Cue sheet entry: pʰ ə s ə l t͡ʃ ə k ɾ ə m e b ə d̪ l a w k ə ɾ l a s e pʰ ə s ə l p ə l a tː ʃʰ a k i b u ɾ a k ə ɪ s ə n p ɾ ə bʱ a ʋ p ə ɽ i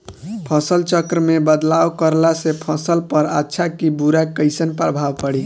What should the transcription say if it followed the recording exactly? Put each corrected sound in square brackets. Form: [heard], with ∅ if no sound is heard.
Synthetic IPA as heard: pʰ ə s ə l t͡ʃ ə k ɾ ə m e b ə d̪ l a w k ə ɾ l a s e pʰ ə s ə l p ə [ɾ] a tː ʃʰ a k i b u ɾ a k ə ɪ s ə n p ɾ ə bʱ a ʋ p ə ɽ i

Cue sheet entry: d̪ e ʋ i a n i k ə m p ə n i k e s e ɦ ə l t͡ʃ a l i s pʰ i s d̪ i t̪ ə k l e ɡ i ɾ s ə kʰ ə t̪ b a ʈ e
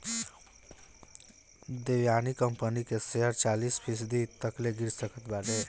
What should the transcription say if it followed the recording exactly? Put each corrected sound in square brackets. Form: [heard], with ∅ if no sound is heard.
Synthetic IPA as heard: d̪ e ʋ [j] a n i k ə m p ə n i k e s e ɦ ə [ɾ] t͡ʃ a l i s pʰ i s d̪ i t̪ ə k l e ɡ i ɾ s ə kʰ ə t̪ b a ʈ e

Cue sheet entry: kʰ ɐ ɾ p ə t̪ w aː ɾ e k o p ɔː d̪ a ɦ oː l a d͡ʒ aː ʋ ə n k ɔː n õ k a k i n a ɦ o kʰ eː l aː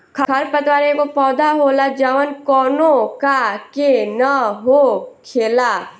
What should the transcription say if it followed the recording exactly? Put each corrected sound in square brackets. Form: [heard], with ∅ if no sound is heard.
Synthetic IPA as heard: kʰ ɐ ɾ p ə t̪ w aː ɾ e k o p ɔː d̪ a ɦ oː l a d͡ʒ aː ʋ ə n k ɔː n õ k a k [e] n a ɦ o kʰ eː l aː

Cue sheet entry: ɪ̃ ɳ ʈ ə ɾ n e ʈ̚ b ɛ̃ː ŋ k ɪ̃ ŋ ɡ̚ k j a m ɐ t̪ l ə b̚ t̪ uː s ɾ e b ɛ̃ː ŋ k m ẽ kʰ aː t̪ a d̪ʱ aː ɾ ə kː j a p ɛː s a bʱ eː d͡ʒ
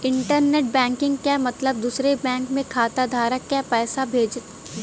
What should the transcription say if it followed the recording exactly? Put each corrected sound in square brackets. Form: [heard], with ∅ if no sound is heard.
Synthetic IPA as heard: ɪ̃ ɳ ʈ ə ɾ n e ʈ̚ b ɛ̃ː ŋ k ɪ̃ ŋ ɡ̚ k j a m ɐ t̪ l ə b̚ [d̪] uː s ɾ e b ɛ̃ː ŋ k m ẽ kʰ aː t̪ a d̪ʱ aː ɾ ə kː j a p ɛː s a bʱ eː d͡ʒ

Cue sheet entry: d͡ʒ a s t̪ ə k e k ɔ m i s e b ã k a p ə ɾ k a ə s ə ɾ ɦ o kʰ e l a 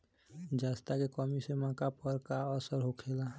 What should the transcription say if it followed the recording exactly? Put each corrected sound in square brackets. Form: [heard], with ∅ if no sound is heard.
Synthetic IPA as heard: d͡ʒ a s t̪ [a] k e k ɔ m i s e [m] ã k a p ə ɾ k a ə s ə ɾ ɦ o kʰ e l a

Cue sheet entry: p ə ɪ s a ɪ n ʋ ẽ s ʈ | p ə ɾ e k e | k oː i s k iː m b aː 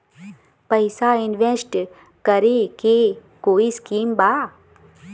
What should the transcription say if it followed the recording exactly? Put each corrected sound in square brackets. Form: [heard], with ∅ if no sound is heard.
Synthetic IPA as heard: p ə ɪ s a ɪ n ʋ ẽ s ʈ | [k] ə ɾ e k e | k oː i s k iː m b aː

